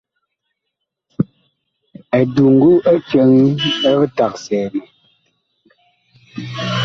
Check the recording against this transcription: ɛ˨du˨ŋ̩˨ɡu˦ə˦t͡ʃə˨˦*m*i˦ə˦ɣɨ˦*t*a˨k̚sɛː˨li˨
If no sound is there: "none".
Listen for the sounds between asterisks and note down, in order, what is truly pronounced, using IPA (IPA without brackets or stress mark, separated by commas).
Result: ŋ, t